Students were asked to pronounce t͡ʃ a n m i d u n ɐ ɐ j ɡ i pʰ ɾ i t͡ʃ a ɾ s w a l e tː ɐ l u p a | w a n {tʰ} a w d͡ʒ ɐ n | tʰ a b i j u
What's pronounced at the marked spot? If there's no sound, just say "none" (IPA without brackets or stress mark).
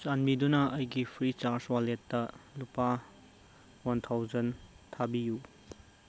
tʰ